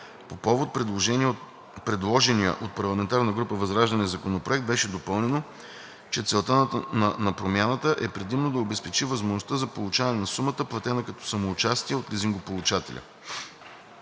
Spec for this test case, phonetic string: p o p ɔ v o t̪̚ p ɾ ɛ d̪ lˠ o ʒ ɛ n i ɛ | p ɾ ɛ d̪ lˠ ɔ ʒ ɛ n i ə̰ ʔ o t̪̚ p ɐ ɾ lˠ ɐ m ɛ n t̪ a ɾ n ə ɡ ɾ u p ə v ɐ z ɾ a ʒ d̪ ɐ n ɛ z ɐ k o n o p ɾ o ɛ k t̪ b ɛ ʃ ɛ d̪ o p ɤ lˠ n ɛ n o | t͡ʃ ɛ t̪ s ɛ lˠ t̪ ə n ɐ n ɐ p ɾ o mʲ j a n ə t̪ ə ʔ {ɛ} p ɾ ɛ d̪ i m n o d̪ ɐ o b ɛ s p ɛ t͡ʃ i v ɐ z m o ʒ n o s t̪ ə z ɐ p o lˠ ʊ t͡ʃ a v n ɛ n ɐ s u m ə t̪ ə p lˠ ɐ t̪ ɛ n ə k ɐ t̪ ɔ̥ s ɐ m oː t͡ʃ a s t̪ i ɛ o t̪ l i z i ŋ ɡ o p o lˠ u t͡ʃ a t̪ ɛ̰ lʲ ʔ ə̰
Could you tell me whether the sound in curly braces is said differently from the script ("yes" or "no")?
no